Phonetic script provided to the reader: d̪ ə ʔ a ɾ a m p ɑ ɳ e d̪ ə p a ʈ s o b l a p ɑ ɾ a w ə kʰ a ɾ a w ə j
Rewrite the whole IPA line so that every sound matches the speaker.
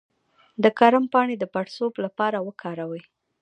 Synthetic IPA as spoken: d̪ ə k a ɾ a m p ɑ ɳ e d̪ ə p a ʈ s o b l a p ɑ ɾ a w ə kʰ ɑ ɾ a w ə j

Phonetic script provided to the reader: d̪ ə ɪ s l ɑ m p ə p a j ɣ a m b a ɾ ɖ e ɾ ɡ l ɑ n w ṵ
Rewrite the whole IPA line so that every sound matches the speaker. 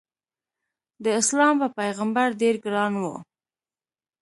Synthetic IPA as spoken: d̪ ə ɪ s l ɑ m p ə p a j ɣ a m b a ɾ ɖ e ɾ ɡ ɾ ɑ n w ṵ

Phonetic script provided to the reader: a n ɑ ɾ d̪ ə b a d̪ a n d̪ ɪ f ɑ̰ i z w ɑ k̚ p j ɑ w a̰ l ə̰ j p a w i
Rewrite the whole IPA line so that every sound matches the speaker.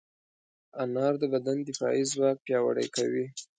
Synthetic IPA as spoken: a n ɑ ɾ d̪ ə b a d̪ a n d̪ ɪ f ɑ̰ i z w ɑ k̚ p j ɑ w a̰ ɽ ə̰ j k a w i

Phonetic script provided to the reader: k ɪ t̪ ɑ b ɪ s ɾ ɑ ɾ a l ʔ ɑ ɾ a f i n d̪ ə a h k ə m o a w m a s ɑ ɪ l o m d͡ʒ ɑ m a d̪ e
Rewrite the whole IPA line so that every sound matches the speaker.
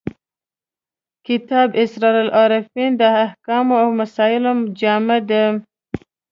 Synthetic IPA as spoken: k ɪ t̪ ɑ b ɪ s ɾ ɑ ɾ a l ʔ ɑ ɾ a f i n d̪ ə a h k ɑ m o a w m a s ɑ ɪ l o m d͡ʒ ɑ m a d̪ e

